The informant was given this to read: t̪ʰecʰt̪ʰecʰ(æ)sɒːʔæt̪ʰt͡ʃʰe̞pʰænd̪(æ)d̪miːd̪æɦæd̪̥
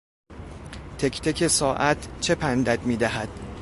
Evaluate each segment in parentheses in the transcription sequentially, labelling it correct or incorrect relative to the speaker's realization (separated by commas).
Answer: incorrect, correct